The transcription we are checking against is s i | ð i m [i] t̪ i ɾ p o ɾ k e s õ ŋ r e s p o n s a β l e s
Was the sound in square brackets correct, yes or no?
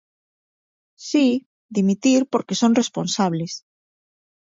yes